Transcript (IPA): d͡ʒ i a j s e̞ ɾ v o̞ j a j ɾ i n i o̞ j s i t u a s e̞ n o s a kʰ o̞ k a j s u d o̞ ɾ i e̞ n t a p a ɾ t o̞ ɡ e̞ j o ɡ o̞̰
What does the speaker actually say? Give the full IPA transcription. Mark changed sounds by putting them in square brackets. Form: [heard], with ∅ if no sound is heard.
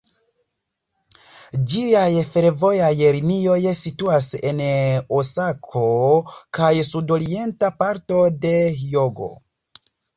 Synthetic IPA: d͡ʒ i a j [f] e̞ ɾ v o̞ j a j ɾ i n i o̞ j s i t u a s e̞ n o s a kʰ o̞ k a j s u d o̞ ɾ i e̞ n t a p a ɾ t o̞ [d] e̞ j o ɡ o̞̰